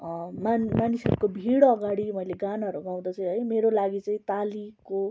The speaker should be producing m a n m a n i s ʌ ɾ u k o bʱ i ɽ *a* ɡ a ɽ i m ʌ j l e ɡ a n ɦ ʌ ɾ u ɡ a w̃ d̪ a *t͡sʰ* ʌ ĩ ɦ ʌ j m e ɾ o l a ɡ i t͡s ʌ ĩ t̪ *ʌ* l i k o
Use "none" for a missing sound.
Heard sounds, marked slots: ʌ, t͡s, a

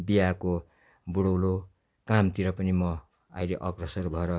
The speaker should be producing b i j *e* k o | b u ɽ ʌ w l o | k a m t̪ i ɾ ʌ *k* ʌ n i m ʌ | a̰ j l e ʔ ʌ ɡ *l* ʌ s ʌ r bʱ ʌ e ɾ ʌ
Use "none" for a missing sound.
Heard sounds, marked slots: a, p, r

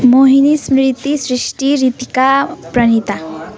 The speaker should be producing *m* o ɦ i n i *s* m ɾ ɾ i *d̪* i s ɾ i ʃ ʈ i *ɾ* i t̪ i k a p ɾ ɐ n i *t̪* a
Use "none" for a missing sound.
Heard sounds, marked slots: m, s, t̪, ɾ, t̪

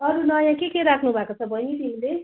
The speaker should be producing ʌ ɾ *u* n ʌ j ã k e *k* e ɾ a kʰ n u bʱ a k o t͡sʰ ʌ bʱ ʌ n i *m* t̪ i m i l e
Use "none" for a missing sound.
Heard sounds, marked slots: u, k, none

